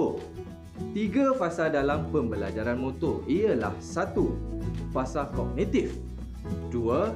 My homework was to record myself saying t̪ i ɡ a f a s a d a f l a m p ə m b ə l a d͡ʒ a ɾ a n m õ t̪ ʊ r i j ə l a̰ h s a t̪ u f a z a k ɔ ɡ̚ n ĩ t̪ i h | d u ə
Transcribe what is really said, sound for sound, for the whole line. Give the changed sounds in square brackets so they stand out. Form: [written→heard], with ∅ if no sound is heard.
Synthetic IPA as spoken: t̪ i ɡ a f a s a d a [f→∅] l a m p ə m b ə l a d͡ʒ a ɾ a n m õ t̪ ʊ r i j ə l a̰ h s a t̪ u f a [z→s] a k ɔ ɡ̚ n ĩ t̪ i [h→f] | d u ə